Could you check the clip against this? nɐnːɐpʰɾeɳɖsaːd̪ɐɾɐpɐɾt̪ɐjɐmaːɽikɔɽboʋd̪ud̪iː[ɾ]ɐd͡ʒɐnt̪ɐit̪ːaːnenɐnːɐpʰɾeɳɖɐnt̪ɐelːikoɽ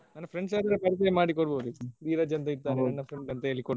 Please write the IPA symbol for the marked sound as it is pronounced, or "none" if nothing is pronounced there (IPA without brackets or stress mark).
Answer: ɾ